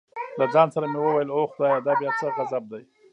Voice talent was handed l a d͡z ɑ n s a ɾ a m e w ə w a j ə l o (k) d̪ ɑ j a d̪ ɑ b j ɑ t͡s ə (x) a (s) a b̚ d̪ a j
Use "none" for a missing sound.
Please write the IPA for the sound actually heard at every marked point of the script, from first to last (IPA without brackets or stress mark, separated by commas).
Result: x, ɣ, z